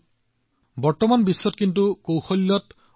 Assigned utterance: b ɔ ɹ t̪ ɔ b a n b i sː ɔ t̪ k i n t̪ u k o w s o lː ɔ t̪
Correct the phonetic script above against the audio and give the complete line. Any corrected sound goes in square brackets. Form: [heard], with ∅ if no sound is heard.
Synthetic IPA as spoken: b ɔ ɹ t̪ ɔ [m] a n b i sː ɔ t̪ k i n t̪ u k o w [x] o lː ɔ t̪